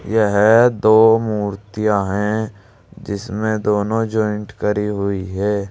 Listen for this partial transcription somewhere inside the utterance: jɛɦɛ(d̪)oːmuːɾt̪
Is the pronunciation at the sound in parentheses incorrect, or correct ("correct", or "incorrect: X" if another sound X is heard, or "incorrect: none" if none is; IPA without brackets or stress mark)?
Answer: correct